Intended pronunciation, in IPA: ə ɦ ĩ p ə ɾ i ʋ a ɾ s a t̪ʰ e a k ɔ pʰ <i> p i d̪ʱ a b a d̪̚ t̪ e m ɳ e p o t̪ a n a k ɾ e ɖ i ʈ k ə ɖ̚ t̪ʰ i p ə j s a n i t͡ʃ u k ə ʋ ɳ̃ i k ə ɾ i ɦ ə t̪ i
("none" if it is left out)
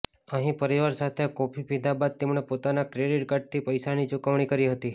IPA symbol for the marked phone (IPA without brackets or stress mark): i